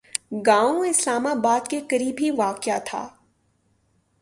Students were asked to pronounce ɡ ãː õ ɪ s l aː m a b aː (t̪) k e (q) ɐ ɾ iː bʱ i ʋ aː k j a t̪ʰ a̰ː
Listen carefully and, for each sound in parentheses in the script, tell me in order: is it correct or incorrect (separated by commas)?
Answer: incorrect, incorrect